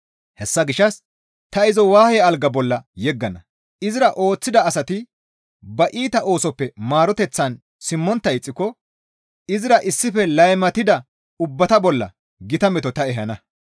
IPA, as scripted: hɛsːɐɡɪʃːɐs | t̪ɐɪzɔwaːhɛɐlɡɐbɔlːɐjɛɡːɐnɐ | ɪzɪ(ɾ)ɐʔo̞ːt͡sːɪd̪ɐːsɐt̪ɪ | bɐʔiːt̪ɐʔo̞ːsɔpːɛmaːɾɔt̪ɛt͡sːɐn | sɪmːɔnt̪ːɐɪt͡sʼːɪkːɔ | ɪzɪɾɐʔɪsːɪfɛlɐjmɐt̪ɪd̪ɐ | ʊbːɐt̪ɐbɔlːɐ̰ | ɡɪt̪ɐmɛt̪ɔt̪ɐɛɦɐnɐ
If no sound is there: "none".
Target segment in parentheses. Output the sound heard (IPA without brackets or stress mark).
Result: ɾ